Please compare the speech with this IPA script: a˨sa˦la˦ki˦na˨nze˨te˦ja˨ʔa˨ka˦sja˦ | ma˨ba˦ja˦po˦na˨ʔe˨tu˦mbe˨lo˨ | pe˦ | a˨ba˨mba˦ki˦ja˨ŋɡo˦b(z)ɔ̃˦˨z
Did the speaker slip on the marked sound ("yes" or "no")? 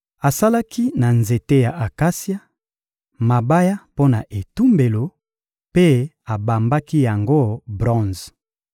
yes